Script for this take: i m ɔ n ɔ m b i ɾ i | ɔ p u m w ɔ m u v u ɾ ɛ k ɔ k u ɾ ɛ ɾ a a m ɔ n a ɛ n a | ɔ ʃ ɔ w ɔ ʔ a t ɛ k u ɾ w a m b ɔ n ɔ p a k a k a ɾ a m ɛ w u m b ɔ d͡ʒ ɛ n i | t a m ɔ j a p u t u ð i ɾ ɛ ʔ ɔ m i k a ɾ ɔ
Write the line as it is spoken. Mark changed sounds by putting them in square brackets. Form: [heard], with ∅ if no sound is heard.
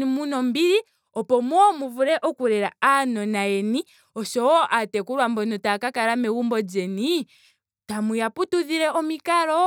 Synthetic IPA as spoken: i m [u] n ɔ m b i ɾ i | ɔ p [ɔ] m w ɔ m u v u ɾ ɛ [ʔ] ɔ k u ɾ ɛ ɾ a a [n] ɔ n a ɛ n [i] | ɔ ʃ ɔ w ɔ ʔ a t ɛ k u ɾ w a m b ɔ n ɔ [t] a k a k a ɾ a m ɛ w u m b ɔ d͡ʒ ɛ n i | t a m [u] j a p u t u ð i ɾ ɛ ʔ ɔ m i k a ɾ ɔ